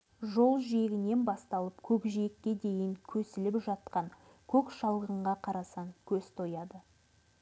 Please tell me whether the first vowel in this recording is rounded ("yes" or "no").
yes